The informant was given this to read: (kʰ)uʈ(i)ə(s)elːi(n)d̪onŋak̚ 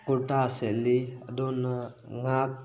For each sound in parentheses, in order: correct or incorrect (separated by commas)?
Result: incorrect, incorrect, correct, incorrect